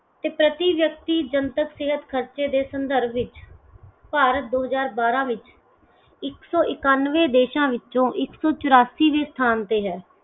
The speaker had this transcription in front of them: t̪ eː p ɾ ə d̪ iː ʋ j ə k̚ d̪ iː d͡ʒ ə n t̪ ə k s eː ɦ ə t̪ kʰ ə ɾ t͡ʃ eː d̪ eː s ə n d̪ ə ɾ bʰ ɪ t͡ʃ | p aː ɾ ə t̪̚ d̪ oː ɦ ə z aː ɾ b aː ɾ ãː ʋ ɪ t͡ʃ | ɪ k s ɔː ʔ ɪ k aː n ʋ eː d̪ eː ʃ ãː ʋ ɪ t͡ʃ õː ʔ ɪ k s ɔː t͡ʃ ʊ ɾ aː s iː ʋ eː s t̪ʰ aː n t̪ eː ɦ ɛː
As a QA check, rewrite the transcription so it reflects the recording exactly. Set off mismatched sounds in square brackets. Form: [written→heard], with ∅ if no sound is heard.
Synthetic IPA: t̪ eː p ɾ ə [d̪→t̪] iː ʋ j ə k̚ [d̪→t̪] iː d͡ʒ ə n t̪ ə k s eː ɦ ə t̪ kʰ ə ɾ t͡ʃ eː d̪ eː s ə n d̪ ə ɾ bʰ ɪ t͡ʃ | p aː ɾ ə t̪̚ d̪ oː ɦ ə z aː ɾ b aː ɾ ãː ʋ ɪ t͡ʃ | ɪ k s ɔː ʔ ɪ k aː n ʋ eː d̪ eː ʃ ãː ʋ ɪ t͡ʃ õː ʔ ɪ k s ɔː t͡ʃ ʊ ɾ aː s iː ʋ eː s t̪ʰ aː n t̪ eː ɦ ɛː